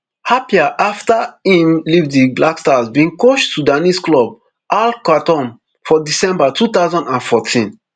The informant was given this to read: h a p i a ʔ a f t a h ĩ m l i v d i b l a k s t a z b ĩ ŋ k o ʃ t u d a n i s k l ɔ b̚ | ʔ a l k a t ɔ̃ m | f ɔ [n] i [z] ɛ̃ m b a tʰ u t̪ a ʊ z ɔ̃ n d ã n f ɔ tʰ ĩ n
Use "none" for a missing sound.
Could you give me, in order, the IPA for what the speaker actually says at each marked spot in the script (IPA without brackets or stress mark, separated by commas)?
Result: d, s